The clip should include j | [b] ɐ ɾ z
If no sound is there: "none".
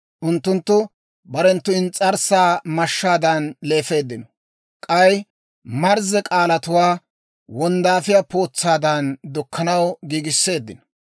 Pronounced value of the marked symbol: m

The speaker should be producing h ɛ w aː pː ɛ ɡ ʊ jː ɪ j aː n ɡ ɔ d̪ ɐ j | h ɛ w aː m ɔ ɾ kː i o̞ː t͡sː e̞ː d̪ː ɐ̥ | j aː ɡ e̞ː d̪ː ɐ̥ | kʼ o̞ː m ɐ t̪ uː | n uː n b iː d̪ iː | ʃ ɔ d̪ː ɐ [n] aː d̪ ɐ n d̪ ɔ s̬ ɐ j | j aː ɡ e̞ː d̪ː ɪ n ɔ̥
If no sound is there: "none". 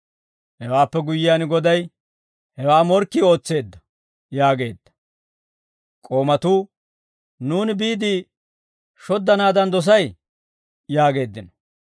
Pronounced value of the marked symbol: n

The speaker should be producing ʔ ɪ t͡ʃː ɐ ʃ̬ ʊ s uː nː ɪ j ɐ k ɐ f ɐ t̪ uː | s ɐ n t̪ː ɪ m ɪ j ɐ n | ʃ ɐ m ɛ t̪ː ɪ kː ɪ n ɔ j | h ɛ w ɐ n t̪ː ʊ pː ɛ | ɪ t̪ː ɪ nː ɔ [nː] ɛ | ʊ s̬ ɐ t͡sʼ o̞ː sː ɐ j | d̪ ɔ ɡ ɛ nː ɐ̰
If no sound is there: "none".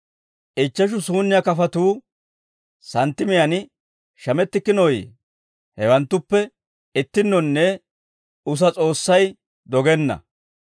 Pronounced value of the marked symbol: nː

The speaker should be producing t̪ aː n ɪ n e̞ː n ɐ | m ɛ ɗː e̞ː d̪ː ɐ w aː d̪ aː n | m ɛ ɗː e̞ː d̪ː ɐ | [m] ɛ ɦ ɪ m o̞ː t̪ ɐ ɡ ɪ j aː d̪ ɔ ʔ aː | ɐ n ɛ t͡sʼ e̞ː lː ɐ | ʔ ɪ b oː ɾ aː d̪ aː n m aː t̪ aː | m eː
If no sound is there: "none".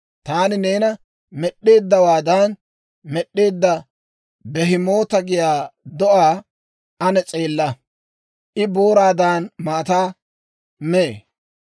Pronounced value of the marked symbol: b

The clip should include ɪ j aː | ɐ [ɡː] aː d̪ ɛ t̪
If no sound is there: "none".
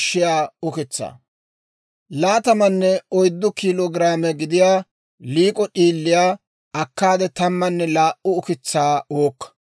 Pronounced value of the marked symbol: kː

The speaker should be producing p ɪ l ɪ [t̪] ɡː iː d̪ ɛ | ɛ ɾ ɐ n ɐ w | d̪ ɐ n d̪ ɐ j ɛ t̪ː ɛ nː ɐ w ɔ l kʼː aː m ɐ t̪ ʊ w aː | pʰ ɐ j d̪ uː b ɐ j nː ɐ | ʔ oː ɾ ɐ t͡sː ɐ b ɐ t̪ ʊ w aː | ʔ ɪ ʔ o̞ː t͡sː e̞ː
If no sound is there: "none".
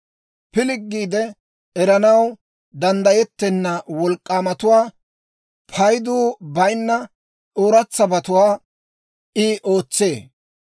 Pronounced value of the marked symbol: none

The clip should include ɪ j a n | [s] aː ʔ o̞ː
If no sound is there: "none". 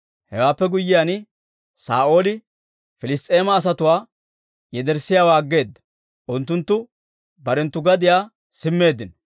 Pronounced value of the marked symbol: s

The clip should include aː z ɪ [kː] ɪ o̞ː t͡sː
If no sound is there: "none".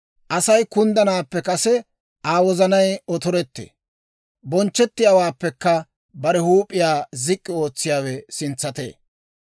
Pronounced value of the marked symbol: kʼː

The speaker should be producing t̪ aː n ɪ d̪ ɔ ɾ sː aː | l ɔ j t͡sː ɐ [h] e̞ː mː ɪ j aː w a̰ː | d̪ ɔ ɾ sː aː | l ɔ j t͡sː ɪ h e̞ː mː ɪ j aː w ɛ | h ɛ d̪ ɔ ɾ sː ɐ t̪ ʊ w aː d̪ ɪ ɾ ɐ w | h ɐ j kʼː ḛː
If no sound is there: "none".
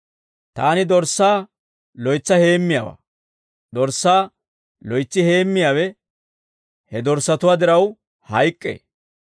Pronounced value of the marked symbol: h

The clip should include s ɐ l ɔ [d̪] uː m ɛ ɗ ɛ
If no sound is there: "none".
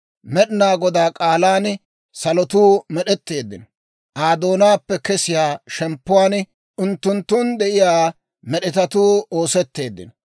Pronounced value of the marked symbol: t̪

